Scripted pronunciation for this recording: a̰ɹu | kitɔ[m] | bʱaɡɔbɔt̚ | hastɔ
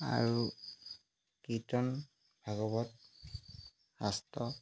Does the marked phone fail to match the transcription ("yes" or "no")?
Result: yes